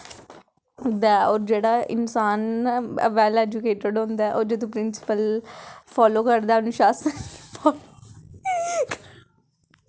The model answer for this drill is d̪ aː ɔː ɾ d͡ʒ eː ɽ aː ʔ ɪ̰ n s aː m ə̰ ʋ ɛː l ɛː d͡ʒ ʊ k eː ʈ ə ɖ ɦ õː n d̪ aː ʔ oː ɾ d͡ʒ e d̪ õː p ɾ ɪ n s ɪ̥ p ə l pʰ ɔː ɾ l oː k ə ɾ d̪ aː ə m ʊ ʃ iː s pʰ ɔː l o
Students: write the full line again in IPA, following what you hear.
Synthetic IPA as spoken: d̪ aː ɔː ɾ d͡ʒ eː ɽ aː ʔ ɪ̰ n s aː n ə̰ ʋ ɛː l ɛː d͡ʒ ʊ k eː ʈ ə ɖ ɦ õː n d̪ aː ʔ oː ɾ d͡ʒ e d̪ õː p ɾ ɪ n s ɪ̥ p ə l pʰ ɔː l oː k ə ɾ d̪ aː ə n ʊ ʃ aː s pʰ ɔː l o